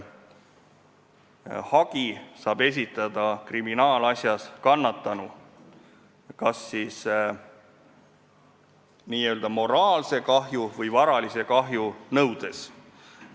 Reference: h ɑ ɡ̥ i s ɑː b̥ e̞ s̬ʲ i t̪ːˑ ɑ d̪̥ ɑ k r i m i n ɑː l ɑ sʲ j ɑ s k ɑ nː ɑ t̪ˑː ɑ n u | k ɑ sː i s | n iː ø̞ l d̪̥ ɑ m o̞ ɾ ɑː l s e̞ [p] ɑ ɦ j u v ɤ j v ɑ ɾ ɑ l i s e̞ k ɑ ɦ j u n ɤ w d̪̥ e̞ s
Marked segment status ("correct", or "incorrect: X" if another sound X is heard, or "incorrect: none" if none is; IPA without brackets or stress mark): incorrect: k